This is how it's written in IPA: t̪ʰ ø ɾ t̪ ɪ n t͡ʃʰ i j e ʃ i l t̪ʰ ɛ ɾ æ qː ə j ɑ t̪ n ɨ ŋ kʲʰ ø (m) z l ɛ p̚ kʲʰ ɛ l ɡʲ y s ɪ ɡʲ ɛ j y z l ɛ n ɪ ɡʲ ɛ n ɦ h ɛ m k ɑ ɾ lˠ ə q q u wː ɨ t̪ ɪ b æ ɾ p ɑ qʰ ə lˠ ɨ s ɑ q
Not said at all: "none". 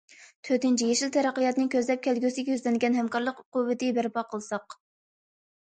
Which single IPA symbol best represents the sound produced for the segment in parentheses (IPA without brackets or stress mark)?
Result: none